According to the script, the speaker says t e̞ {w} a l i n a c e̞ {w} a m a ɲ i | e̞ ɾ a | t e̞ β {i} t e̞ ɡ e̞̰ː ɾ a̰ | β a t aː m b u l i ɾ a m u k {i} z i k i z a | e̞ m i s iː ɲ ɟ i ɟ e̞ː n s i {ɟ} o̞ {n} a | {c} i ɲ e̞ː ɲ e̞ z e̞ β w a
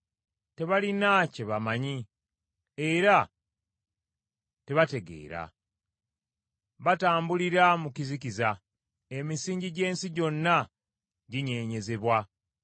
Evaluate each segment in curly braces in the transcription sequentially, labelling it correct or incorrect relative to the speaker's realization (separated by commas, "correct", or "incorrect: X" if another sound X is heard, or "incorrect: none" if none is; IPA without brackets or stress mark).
incorrect: β, incorrect: β, incorrect: a, correct, correct, incorrect: nː, incorrect: ɟ